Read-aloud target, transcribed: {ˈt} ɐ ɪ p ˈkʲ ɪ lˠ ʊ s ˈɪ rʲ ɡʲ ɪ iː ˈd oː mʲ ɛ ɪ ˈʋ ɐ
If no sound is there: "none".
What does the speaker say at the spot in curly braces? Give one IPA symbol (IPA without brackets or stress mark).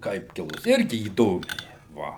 k